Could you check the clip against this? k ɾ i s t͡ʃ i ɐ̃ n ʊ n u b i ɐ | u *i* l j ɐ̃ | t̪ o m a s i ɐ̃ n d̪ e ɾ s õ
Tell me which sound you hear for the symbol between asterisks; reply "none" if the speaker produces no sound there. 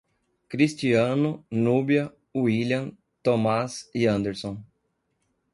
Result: i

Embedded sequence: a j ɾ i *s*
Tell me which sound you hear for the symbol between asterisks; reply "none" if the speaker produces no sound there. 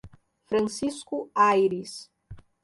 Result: s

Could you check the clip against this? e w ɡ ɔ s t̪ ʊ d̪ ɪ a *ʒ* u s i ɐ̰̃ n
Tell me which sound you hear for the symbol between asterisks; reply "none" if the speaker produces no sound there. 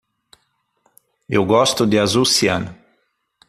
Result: z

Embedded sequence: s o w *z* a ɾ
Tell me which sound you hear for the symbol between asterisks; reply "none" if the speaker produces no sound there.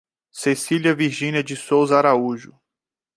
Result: z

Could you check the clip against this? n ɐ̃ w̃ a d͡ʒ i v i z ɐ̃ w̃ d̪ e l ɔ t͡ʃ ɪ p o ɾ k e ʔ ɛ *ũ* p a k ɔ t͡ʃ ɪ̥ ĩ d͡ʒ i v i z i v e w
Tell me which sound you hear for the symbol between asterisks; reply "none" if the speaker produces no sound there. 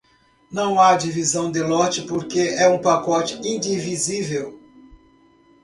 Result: ũ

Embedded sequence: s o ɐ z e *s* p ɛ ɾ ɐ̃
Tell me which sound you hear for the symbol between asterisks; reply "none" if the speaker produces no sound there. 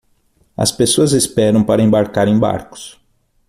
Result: s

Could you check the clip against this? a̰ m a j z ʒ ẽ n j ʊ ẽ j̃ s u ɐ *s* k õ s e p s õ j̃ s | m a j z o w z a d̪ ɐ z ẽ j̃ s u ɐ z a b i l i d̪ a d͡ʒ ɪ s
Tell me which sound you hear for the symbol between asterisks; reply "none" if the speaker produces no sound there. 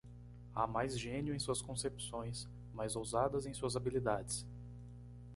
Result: s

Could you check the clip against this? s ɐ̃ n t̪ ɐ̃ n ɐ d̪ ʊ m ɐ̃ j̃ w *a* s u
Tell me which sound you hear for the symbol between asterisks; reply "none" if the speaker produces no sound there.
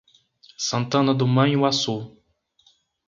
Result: a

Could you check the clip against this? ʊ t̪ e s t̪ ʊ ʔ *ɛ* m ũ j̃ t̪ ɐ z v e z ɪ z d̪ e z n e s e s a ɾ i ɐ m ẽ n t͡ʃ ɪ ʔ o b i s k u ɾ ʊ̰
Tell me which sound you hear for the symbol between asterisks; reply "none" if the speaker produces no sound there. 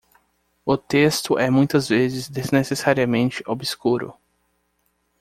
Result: ɛ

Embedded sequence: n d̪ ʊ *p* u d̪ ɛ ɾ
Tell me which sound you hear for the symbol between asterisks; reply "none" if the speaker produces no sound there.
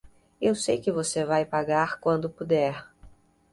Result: p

